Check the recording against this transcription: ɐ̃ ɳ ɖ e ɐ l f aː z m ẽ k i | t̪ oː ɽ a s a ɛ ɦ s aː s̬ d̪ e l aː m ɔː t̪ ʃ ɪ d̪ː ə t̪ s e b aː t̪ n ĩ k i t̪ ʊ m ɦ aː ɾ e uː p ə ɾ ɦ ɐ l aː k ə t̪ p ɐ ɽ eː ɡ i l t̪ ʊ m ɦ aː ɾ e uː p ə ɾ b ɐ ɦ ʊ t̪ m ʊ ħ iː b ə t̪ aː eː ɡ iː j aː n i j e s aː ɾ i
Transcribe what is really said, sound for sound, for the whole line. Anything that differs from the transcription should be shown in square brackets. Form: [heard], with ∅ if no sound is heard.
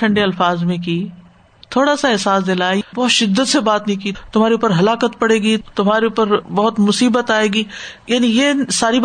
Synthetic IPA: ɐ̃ ɳ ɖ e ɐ l f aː z m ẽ k i | [t̪ʰ] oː ɽ a s a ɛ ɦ s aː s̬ d̪ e l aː [b] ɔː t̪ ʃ ɪ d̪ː ə t̪ s e b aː t̪ n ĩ k i t̪ ʊ m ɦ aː ɾ e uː p ə ɾ ɦ ɐ l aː k ə t̪ p ɐ ɽ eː ɡ i [∅] t̪ ʊ m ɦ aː ɾ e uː p ə ɾ b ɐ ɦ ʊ t̪ m ʊ [s] iː b ə t̪ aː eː ɡ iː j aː n i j e s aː ɾ i